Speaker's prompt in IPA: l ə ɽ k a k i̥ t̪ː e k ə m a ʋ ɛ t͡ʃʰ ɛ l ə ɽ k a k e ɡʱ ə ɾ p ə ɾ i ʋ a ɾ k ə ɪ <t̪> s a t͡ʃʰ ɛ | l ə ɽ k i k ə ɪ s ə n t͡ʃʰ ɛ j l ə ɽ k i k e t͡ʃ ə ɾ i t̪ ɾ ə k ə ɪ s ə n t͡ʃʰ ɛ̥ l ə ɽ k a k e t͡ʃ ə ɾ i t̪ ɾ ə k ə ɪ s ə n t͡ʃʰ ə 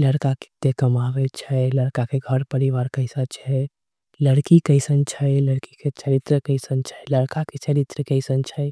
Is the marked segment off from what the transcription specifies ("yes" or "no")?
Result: yes